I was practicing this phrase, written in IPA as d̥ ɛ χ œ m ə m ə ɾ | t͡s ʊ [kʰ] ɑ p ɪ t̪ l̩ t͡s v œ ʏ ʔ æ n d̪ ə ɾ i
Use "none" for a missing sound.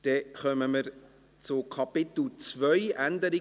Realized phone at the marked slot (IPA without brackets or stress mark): kʰ